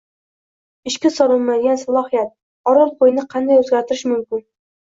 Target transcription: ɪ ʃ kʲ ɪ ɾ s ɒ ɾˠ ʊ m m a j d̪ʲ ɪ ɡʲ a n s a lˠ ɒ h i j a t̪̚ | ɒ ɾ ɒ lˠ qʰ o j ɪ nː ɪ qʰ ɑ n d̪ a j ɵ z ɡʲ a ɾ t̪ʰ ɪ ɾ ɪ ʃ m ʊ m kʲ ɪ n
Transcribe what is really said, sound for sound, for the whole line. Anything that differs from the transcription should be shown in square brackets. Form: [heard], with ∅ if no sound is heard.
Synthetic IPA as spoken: ɪ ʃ kʲ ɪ [∅] s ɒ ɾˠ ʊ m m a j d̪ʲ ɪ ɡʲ a n s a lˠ ɒ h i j a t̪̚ | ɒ ɾ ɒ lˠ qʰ o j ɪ [n] ɪ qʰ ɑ n d̪ a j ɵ z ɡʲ a ɾ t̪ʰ ɪ ɾ ɪ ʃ m ʊ m kʲ ɪ n